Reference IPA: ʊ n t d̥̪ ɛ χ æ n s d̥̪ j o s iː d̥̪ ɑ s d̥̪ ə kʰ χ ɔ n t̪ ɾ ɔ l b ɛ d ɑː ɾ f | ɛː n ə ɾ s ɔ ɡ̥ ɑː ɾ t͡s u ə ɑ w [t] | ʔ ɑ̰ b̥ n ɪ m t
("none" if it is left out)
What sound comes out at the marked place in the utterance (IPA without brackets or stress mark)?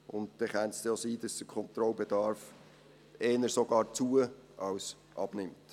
s